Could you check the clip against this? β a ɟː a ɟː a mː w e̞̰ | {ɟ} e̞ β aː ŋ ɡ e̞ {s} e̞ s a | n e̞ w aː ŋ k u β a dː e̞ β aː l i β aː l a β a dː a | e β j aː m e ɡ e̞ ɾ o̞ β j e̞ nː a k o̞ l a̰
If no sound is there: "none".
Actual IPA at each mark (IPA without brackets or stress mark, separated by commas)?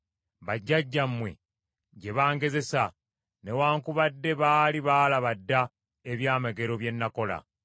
ɟ, z